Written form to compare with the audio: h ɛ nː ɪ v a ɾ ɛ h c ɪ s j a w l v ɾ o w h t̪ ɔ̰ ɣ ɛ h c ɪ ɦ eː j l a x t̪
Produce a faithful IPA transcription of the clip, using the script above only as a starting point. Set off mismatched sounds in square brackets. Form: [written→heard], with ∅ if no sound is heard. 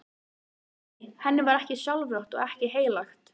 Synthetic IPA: h ɛ nː ɪ v a ɾ ɛ h c ɪ s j a w l v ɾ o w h t̪ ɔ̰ ɣ ɛ h c ɪ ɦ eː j l a x t̪